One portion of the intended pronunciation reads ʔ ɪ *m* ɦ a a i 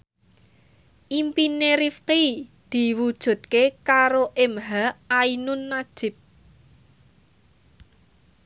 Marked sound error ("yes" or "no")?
no